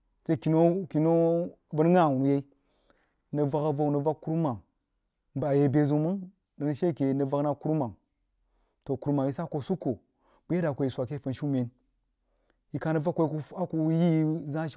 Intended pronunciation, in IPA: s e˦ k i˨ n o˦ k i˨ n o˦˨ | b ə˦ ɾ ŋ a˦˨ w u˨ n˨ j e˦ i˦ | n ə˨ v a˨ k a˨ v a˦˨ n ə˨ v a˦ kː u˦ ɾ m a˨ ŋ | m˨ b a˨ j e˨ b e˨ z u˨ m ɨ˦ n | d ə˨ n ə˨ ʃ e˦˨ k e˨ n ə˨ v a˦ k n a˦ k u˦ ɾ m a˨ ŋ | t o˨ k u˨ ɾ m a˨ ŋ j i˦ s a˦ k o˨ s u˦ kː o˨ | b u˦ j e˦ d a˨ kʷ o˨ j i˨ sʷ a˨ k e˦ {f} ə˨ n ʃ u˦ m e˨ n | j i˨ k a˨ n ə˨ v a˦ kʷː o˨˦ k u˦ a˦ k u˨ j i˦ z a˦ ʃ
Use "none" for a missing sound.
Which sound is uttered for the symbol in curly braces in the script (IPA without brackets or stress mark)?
f